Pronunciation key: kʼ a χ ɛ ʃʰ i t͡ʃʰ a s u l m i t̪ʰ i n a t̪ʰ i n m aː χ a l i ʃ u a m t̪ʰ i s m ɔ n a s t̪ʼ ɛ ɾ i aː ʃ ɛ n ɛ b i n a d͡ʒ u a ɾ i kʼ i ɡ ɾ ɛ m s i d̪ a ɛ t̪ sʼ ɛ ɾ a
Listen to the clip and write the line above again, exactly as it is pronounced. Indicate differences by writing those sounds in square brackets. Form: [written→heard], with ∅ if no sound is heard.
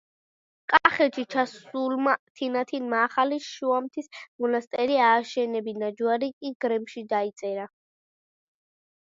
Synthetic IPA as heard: kʼ a χ ɛ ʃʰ i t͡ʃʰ a s u l m [i→a] t̪ʰ i n a t̪ʰ i n m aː χ a l i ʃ u a m t̪ʰ i s m ɔ n a s t̪ʼ ɛ ɾ i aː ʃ ɛ n ɛ b i n a d͡ʒ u a ɾ i kʼ i ɡ ɾ ɛ m [s→ʃ] i d̪ a [ɛ→i] t̪ sʼ ɛ ɾ a